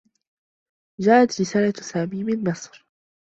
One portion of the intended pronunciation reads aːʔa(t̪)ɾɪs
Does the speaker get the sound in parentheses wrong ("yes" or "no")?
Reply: no